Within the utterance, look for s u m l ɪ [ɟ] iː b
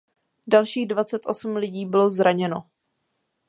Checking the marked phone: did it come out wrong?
no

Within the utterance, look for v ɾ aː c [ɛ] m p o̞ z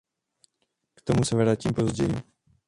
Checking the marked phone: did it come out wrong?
yes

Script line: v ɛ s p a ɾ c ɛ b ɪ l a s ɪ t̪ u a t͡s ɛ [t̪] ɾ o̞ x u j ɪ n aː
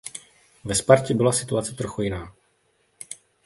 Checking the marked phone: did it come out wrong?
no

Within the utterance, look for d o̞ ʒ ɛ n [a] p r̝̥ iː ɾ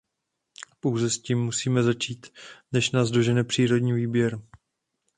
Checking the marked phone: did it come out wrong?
yes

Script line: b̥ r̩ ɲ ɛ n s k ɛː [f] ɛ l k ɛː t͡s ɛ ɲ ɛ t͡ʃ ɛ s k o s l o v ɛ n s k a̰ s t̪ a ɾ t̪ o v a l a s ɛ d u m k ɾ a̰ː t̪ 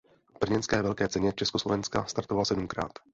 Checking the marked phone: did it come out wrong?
yes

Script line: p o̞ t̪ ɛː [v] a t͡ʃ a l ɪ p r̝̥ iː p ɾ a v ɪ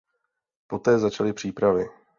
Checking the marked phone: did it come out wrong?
yes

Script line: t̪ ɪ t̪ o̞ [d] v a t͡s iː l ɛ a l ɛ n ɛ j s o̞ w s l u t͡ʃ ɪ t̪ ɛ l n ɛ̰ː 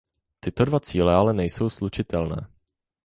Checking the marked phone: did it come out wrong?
no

